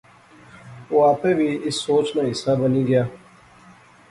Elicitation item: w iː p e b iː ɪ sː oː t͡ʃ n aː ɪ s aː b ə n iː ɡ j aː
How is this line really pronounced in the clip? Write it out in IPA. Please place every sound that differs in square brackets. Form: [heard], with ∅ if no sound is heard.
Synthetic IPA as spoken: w [aː] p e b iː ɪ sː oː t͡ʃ n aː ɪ s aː b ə n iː ɡ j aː